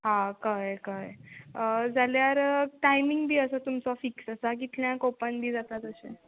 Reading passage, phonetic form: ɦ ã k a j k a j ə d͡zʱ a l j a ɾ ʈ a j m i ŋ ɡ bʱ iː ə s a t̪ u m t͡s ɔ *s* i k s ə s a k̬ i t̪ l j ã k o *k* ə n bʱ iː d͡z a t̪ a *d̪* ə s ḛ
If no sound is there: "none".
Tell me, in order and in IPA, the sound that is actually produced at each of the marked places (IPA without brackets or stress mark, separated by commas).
f, p, t̪